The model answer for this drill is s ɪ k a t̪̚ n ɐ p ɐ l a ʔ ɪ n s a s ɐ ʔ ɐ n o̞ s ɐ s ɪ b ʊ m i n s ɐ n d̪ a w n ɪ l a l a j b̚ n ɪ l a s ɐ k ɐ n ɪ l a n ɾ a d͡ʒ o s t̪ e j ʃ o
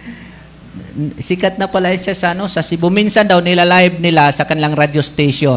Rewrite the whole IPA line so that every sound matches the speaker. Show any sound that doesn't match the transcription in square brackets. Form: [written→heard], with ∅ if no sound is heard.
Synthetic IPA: s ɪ k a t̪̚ n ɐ p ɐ l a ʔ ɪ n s a s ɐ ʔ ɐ n o̞ s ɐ s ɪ b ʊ m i n s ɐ n d̪ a w n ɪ l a l a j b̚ n ɪ l a s ɐ k ɐ n ɪ l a [n→ŋ] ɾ a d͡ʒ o s t̪ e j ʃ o